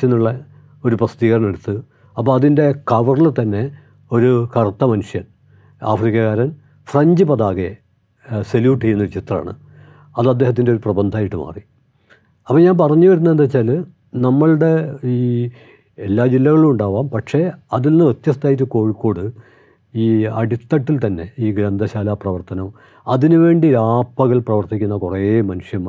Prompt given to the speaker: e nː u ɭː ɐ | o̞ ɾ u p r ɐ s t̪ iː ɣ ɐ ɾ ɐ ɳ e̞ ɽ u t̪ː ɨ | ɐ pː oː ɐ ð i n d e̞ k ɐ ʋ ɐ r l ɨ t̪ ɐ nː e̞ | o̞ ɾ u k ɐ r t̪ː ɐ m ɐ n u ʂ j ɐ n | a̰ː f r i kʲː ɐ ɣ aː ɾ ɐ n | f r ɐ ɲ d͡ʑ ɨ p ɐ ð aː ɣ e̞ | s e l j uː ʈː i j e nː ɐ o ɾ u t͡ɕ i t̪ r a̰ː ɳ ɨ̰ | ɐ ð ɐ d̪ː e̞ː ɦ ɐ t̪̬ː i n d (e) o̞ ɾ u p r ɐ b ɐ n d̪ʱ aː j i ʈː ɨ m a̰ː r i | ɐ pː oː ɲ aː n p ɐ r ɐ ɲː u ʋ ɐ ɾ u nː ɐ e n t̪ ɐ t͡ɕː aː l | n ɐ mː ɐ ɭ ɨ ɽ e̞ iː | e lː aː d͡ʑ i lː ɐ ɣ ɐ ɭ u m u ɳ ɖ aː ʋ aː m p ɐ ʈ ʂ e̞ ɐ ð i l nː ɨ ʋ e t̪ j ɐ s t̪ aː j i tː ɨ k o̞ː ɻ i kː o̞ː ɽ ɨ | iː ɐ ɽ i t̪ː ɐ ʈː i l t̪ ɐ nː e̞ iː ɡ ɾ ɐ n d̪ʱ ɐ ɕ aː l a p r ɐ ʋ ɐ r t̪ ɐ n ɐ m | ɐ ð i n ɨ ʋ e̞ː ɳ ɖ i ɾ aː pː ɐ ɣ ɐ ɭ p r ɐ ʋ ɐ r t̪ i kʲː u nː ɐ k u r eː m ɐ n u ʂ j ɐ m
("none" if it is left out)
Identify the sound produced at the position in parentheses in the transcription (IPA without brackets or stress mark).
e